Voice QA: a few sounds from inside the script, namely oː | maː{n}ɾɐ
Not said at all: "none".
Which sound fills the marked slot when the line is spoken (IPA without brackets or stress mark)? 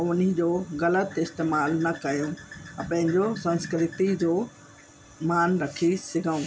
n